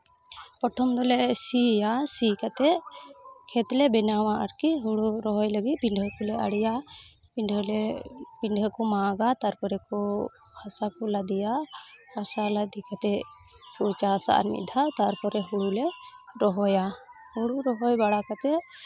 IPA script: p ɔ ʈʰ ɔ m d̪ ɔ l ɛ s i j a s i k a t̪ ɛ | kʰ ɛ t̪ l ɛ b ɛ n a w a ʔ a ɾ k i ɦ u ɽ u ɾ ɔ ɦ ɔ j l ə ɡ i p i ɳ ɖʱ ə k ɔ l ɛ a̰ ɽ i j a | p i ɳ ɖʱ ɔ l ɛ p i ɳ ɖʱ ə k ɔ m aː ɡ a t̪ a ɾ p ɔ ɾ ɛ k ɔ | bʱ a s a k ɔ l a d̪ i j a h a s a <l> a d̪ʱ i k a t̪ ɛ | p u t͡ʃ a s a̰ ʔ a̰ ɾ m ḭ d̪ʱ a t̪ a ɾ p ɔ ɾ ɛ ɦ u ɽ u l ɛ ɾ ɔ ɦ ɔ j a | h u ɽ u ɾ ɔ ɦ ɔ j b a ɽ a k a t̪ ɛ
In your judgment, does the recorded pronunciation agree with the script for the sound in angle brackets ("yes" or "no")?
yes